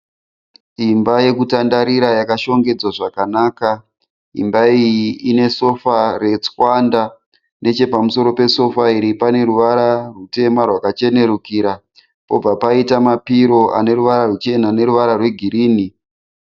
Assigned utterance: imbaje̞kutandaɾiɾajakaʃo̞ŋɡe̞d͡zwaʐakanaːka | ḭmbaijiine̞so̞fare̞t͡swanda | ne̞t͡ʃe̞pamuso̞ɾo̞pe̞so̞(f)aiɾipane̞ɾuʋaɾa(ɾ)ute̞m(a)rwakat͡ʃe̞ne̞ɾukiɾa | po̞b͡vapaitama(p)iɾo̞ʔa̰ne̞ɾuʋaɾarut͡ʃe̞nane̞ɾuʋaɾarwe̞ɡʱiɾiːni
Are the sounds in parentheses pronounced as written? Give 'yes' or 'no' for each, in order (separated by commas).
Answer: yes, no, yes, yes